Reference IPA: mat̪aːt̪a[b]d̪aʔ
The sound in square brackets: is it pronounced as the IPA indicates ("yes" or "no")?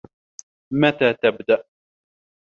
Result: yes